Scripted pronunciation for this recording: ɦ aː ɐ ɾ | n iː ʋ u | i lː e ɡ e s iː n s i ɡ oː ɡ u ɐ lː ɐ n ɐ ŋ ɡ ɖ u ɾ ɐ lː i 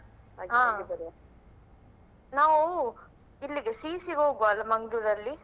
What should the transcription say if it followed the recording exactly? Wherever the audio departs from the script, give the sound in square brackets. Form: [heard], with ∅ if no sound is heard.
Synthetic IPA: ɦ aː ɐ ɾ | n [aː] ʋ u | i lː [i] ɡ e s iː [∅] s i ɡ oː ɡ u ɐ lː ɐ [m] ɐ ŋ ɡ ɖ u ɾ ɐ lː i